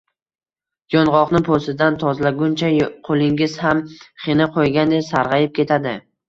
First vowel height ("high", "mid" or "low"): low